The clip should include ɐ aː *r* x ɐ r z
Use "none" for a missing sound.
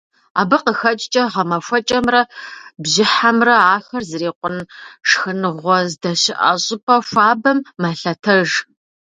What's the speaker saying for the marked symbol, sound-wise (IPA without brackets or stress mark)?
none